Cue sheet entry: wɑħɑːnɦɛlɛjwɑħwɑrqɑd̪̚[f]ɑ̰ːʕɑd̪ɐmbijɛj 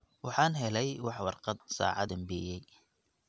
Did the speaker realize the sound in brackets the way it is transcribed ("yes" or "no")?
no